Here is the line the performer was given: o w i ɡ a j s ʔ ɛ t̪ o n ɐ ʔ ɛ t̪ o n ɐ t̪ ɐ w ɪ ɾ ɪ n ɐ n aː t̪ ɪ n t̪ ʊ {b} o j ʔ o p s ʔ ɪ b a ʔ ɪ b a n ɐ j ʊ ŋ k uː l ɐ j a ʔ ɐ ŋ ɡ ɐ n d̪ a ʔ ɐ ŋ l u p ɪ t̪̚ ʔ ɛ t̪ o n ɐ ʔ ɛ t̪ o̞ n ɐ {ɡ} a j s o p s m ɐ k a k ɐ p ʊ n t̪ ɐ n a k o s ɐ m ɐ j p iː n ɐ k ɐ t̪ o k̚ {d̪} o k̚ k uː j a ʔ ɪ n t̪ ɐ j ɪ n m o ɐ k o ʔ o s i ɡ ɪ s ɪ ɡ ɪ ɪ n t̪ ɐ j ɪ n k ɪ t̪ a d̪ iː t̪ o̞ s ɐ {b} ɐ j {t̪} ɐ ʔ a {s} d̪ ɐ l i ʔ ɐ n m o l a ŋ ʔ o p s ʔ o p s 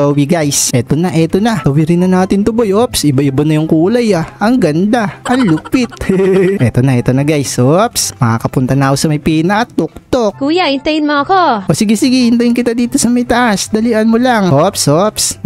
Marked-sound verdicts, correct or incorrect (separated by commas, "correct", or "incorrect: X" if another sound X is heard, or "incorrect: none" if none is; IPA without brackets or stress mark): correct, correct, incorrect: t̪, incorrect: m, correct, correct